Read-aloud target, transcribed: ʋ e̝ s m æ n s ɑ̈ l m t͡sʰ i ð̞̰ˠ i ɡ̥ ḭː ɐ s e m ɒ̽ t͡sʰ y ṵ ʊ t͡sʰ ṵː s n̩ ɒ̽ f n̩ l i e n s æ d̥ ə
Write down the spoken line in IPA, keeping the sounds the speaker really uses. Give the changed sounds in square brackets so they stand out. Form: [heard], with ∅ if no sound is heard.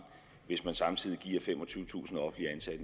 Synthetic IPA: ʋ e̝ s m æ n s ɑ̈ [∅] m t͡sʰ i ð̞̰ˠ i ɡ̥ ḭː ɐ [f] e m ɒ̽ t͡sʰ y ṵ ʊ t͡sʰ ṵː s n̩ ɒ̽ f n̩ l i [æ] n s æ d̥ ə